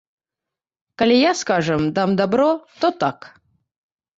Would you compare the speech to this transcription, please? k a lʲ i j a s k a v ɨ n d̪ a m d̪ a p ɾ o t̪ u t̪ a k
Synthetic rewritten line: k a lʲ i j a s k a ʐ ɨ m d̪ a m d̪ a b ɾ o t̪ o t̪ a k